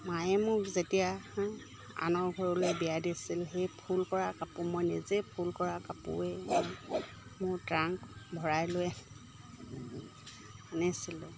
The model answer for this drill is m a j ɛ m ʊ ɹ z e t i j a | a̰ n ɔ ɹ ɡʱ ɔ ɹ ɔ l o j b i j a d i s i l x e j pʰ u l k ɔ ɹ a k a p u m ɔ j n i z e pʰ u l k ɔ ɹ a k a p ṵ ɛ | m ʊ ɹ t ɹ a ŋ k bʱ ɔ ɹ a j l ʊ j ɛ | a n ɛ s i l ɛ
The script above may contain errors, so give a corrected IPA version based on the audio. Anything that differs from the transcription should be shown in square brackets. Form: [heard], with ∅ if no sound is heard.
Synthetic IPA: m a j ɛ m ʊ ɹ z e t i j a | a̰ n ɔ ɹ ɡʱ ɔ ɹ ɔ l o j b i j a d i s i l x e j pʰ u l k ɔ ɹ a k a p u m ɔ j n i z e pʰ u l k ɔ ɹ a k a p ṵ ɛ | m ʊ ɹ t ɹ a ŋ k bʱ ɔ ɹ a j l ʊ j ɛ | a n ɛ s i l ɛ